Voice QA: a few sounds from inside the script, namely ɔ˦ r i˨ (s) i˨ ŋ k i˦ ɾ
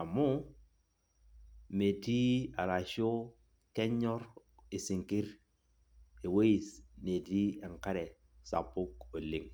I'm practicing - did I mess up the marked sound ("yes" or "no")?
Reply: no